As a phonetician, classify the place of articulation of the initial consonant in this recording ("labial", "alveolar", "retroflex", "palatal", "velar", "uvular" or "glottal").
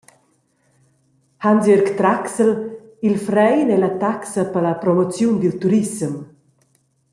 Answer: glottal